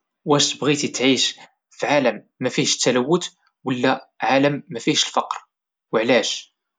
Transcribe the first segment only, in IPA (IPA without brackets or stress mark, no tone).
w